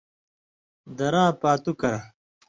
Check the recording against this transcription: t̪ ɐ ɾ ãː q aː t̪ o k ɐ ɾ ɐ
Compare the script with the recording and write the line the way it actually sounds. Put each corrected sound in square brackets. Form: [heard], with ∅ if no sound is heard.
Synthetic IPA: [d̪] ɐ ɾ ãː [p] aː t̪ [u] k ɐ ɾ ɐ